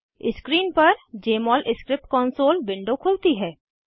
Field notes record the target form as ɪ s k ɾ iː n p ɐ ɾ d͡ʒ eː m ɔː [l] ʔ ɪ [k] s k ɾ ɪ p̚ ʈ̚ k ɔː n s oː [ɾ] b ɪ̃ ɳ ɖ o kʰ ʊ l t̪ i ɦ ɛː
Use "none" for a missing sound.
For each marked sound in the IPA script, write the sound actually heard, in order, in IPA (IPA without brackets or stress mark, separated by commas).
l, none, l